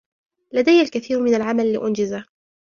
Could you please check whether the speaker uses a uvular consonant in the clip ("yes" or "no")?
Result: no